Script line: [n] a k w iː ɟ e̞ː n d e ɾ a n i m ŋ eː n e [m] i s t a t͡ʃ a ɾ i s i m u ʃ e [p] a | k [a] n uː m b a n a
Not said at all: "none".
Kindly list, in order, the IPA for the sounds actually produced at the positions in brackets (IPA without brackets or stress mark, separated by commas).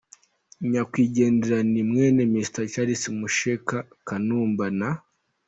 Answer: ɲ, m, k, a